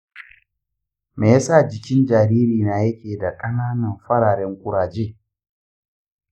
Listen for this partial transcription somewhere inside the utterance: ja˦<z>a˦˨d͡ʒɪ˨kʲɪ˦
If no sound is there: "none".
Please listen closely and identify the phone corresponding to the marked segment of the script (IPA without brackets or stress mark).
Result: s